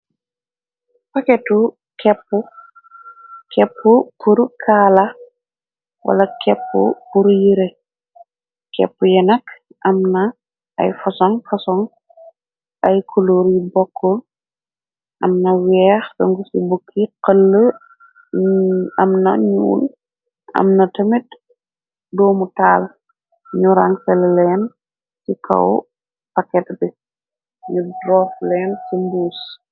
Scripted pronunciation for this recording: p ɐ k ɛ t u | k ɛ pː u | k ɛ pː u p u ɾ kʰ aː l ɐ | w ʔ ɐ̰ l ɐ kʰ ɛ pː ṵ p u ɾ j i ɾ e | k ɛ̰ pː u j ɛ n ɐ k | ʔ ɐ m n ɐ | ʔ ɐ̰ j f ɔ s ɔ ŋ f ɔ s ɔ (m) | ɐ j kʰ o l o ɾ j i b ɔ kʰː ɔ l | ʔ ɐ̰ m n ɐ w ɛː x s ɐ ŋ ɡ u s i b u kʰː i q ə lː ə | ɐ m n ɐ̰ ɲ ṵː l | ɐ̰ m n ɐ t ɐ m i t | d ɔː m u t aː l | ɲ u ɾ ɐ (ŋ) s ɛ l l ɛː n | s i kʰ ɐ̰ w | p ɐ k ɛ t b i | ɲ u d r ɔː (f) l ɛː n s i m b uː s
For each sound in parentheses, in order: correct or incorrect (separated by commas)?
incorrect, correct, correct